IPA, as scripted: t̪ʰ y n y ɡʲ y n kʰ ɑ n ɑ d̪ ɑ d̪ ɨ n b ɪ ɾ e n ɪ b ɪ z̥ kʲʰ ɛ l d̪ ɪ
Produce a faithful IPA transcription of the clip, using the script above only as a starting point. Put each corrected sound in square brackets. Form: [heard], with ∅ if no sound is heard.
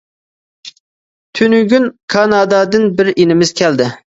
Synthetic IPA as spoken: t̪ʰ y n y ɡʲ y n kʰ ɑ n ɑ d̪ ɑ d̪ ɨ n b ɪ ɾ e n ɪ [m] ɪ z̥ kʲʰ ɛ l d̪ ɪ